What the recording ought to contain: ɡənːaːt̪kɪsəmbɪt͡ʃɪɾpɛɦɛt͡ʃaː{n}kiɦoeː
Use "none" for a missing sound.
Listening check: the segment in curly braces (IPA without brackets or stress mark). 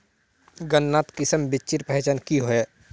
n